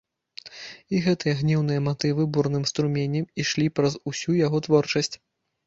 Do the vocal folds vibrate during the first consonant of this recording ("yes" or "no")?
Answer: yes